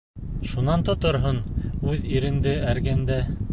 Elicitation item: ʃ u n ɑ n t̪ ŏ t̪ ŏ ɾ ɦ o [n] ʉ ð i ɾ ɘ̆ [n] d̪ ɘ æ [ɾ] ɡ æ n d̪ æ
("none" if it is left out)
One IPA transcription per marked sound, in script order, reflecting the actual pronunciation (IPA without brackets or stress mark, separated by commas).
n, n, ɾ